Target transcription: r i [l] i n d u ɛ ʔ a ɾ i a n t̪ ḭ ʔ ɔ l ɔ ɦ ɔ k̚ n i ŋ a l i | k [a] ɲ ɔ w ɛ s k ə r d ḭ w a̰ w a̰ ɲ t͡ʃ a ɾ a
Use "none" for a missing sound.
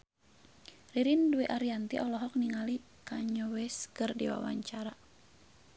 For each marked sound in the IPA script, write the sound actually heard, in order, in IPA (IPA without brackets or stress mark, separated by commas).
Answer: ɾ, a